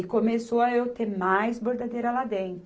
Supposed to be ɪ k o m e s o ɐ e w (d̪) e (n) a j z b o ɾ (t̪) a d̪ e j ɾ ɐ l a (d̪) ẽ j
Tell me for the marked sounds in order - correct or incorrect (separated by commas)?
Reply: incorrect, incorrect, incorrect, correct